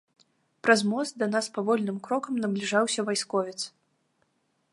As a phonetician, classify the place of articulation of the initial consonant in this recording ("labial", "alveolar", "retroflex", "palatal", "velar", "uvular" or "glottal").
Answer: labial